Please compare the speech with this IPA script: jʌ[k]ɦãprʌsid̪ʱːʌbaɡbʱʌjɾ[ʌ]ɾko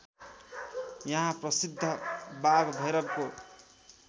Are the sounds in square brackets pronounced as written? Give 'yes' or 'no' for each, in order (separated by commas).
no, yes